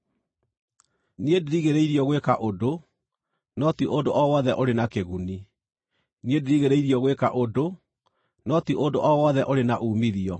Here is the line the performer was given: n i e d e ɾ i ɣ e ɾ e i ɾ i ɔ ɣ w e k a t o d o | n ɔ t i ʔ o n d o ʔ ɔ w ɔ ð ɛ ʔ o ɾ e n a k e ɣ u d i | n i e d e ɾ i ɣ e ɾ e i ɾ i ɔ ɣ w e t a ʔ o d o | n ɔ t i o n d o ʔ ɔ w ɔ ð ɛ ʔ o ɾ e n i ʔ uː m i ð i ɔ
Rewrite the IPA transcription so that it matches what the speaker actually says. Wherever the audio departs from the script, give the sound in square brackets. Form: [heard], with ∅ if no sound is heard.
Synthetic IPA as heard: n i e d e ɾ i ɣ e ɾ e i ɾ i ɔ ɣ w e k a [ʔ] o d o | n ɔ t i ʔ o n d o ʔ ɔ w ɔ ð ɛ ʔ o ɾ e n a k e ɣ u [n] i | n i e d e ɾ i ɣ e ɾ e i ɾ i ɔ ɣ w e [k] a ʔ o d o | n ɔ t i o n d o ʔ ɔ w ɔ ð ɛ ʔ o ɾ e n [a] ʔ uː m i ð i ɔ